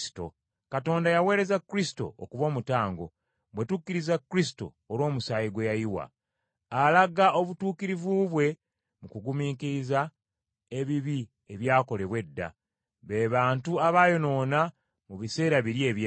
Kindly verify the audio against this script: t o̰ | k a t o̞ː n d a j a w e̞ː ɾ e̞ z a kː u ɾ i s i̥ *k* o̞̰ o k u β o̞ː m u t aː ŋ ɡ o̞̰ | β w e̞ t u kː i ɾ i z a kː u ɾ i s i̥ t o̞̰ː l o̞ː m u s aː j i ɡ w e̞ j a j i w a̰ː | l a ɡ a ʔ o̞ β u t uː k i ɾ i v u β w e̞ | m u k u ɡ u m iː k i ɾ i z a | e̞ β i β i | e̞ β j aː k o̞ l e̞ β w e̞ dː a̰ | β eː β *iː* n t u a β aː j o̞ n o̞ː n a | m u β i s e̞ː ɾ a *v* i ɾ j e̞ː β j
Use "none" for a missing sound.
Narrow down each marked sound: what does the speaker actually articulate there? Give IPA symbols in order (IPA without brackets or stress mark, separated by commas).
t, aː, β